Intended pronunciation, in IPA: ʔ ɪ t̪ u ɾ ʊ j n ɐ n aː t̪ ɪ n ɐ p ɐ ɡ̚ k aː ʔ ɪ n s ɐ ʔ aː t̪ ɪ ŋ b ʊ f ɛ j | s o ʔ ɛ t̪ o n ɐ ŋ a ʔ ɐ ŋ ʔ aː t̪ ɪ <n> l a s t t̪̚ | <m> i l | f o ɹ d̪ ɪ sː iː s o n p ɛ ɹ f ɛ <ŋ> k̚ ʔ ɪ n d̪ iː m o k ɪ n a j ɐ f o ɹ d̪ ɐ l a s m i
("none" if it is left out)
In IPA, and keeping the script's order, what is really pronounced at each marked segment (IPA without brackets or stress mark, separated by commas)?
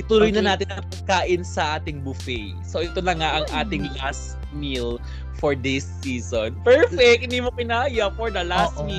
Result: ŋ, m, none